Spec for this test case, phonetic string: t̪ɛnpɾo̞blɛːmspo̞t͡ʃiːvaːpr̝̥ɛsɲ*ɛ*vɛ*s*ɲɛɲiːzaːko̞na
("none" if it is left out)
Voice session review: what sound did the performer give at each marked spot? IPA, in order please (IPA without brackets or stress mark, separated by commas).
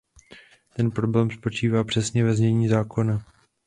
ɛ, z